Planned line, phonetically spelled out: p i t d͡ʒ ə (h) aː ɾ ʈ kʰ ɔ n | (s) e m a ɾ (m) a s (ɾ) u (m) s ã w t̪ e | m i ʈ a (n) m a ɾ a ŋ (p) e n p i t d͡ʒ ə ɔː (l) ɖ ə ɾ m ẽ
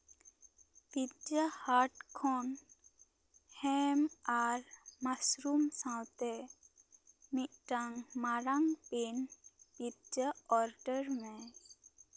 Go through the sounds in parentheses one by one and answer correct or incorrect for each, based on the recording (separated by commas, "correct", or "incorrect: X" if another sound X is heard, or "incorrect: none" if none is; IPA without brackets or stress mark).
correct, incorrect: h, correct, correct, correct, incorrect: ŋ, correct, incorrect: ɾ